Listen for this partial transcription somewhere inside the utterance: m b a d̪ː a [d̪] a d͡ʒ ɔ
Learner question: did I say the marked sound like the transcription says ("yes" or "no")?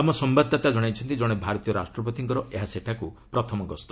no